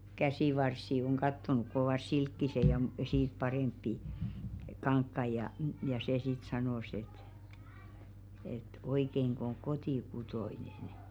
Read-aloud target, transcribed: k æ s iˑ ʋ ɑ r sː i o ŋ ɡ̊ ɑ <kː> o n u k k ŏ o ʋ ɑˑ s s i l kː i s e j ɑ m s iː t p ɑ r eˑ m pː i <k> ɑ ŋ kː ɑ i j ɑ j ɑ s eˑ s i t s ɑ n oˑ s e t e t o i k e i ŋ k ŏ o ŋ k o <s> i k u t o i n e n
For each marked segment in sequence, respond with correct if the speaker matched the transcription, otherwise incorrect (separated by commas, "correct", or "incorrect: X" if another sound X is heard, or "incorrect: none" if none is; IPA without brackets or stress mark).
incorrect: tː, correct, incorrect: t